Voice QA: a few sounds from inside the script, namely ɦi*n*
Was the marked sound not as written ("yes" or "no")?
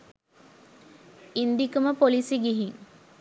yes